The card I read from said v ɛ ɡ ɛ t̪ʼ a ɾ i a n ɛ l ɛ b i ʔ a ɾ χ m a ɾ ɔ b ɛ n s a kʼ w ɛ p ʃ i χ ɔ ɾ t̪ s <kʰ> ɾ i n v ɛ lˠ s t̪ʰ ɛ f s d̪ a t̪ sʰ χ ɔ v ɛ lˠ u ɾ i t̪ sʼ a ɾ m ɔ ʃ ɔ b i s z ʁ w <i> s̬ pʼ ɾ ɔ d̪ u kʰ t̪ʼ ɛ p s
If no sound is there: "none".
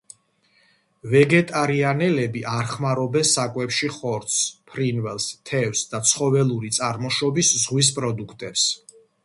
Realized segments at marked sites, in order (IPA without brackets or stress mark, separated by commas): pʰ, i